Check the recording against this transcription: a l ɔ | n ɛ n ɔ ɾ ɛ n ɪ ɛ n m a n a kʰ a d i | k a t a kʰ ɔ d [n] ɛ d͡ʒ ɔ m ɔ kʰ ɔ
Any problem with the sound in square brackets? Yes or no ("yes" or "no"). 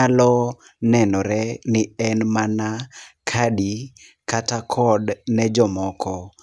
no